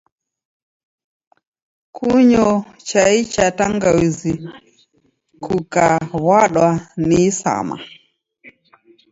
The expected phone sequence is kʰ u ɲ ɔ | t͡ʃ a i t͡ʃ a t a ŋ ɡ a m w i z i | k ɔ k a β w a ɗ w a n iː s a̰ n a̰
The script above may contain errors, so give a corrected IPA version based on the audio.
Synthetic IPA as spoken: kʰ u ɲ ɔ | t͡ʃ a i t͡ʃ a t a ŋ ɡ a w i z i | k u k a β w a ɗ w a n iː s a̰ m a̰